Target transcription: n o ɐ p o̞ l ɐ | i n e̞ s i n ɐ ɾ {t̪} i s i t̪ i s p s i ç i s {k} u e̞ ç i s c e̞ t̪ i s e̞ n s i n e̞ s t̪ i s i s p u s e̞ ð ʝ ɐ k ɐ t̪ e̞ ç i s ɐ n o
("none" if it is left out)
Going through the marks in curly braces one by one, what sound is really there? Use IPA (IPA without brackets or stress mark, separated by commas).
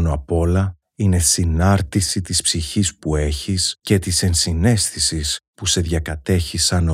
t̪, p